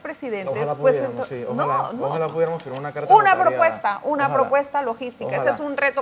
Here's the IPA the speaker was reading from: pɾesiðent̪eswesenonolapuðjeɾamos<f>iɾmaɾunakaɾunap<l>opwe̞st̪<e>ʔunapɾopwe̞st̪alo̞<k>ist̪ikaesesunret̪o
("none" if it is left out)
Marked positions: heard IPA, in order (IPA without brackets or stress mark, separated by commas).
f, ɾ, a, x